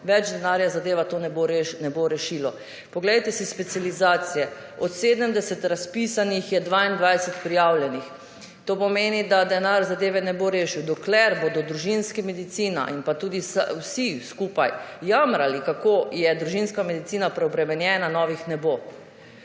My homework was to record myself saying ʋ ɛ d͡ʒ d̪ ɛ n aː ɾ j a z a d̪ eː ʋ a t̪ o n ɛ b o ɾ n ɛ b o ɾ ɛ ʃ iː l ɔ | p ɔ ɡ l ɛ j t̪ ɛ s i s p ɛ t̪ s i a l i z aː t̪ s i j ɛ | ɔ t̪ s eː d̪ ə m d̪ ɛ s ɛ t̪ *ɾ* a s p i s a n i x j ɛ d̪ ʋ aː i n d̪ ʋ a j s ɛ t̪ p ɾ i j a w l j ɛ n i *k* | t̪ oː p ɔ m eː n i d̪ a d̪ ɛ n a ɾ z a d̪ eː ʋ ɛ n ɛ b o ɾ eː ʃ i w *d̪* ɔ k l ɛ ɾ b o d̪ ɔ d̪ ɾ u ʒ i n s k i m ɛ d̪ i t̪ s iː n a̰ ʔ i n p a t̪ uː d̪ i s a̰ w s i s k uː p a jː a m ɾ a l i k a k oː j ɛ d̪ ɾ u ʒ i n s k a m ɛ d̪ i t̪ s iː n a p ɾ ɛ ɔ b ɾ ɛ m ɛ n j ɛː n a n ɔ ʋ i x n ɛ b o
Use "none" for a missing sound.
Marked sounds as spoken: ɾ, x, d̪

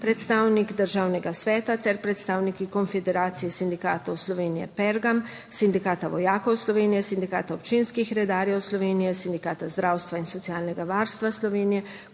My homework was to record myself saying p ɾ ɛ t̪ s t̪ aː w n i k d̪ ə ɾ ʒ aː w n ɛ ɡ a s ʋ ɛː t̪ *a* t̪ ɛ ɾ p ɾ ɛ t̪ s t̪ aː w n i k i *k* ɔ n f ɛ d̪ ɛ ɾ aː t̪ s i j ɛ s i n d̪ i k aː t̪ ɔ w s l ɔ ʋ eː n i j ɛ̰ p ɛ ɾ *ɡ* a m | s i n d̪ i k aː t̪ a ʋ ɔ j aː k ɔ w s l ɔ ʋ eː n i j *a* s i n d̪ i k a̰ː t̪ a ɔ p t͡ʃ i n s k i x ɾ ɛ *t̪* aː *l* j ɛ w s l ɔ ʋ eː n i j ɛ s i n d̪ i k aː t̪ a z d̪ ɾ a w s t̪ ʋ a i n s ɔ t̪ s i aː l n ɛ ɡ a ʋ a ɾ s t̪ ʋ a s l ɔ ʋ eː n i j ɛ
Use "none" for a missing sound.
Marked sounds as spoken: a, k, ɡ, ɛ, d̪, ɾ

